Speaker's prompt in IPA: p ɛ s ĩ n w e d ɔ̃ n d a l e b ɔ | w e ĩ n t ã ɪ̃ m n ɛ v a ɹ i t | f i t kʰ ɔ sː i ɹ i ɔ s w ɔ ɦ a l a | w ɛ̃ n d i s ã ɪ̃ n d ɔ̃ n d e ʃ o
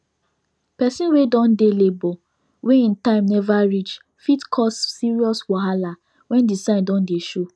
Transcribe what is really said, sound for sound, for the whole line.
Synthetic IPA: p ɛ s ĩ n w e d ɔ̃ n d e l e b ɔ | w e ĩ n t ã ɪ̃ m n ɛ v a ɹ i t͡ʃ | f i t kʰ ɔ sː i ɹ i ɔ s w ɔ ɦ a l a | w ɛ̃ n d i s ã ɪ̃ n d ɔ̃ n d e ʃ o